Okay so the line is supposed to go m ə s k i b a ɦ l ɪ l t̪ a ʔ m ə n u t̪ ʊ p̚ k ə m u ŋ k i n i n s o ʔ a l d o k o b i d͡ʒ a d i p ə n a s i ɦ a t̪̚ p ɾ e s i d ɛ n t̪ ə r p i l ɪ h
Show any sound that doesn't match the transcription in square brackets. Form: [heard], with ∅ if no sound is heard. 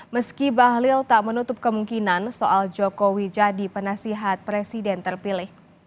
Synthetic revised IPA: m ə s k i b a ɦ l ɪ l t̪ a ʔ m ə n u t̪ ʊ p̚ k ə m u ŋ k i n [a] n s o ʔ a l [d͡ʒ] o k o [w] i d͡ʒ a d i p ə n a s i ɦ a t̪̚ p ɾ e s i d ɛ n t̪ ə r p i l ɪ h